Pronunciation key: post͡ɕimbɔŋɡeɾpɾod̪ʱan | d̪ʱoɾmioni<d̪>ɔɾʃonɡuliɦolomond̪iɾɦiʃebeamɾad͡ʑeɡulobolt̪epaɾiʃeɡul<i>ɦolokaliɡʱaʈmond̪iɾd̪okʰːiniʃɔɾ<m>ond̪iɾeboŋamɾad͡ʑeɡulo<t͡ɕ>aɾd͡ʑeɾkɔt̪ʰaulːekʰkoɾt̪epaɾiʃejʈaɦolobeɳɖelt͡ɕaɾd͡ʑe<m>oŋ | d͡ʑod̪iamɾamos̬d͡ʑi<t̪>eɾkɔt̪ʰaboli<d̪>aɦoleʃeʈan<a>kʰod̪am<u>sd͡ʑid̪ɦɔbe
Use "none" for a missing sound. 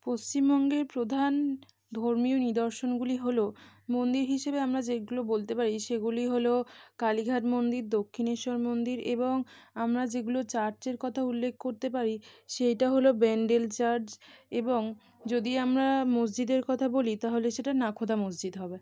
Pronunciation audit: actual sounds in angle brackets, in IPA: d̪, i, m, t͡ɕ, b, d̪, t̪, a, o

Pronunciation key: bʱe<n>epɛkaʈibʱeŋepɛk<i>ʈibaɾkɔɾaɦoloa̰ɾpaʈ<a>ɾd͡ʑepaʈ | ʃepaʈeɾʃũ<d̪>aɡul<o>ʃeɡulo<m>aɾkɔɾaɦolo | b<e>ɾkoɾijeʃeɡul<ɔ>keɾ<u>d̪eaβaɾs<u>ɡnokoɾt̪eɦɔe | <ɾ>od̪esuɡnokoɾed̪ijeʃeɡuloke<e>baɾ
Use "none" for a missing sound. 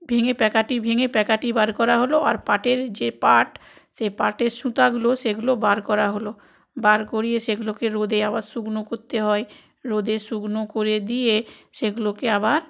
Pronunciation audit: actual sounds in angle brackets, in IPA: ŋ, a, e, t̪, o, b, a, o, o, u, ɾ, a

